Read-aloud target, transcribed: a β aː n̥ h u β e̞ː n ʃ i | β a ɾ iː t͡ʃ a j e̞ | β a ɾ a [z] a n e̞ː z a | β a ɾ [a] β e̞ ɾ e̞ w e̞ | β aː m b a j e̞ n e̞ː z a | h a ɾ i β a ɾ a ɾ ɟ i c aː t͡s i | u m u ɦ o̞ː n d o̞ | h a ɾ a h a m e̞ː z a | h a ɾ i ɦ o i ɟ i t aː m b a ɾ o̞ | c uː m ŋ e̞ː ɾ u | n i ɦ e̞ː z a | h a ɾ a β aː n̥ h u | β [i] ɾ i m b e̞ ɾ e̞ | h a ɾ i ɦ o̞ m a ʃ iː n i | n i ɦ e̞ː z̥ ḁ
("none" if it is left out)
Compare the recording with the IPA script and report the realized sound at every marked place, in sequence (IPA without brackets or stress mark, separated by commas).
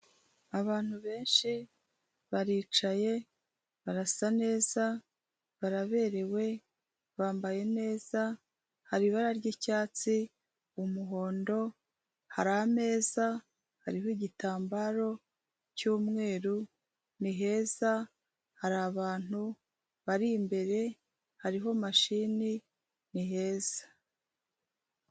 s, a, a